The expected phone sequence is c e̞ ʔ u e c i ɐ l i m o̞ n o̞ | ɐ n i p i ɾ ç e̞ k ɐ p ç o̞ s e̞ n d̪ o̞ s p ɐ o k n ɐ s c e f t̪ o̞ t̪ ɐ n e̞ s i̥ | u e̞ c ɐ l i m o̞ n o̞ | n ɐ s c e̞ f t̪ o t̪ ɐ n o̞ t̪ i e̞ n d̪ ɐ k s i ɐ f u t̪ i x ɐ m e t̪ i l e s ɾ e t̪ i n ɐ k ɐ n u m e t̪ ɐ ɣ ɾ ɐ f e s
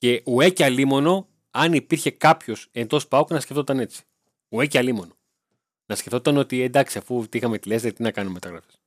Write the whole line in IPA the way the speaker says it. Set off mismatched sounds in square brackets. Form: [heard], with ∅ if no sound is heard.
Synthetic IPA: c e̞ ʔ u e c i ɐ l i m o̞ n o̞ | ɐ n i p i ɾ ç e̞ k ɐ p ç o̞ s e̞ n d̪ o̞ s p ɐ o k n ɐ s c e f t̪ o̞ t̪ ɐ n e̞ [t͡s] i̥ | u e̞ c ɐ l i m o̞ n o̞ | n ɐ s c e̞ f t̪ o t̪ ɐ n o̞ t̪ i e̞ n d̪ ɐ k s i ɐ f u t̪ i x ɐ m e t̪ i l e s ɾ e t̪ i n ɐ k ɐ n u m e t̪ ɐ ɣ ɾ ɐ f e s